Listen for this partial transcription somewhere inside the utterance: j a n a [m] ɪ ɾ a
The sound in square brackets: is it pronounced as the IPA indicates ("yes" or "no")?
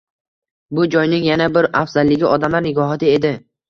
no